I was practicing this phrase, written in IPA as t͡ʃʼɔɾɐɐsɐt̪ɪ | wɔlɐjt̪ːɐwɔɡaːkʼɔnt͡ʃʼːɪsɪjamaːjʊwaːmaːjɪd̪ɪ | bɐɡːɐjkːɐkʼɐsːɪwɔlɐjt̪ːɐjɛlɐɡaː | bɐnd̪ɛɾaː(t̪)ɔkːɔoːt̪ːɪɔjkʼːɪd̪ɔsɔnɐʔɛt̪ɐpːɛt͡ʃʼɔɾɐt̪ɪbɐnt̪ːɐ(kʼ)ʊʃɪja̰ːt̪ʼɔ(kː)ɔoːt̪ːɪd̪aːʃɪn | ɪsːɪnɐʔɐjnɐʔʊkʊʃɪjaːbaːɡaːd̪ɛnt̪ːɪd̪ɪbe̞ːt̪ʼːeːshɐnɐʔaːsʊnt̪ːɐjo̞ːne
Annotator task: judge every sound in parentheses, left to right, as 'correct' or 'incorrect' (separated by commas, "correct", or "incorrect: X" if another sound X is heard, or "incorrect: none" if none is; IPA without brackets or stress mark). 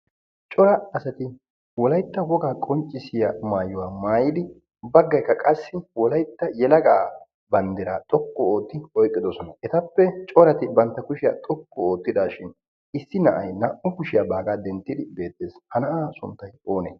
incorrect: t̪ʼ, incorrect: k, correct